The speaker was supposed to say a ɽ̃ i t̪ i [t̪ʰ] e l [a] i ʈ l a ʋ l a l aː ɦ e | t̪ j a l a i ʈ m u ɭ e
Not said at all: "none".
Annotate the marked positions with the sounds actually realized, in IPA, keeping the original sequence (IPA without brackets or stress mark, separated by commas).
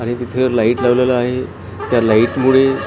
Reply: t̪ʰ, a